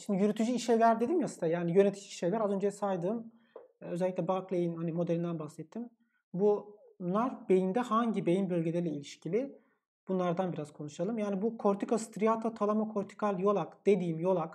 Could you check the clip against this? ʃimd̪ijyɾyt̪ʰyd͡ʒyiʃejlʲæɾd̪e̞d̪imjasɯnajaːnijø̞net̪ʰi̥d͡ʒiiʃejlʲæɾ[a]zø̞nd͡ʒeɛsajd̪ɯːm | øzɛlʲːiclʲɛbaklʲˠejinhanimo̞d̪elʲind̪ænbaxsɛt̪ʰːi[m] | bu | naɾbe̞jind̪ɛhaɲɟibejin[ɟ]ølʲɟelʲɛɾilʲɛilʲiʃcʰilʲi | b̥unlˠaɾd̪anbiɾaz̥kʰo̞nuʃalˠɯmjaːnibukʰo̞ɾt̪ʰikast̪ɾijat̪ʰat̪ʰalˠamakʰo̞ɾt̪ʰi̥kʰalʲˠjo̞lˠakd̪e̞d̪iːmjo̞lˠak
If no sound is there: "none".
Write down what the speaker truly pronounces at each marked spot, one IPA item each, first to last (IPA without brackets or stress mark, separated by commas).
a, m, b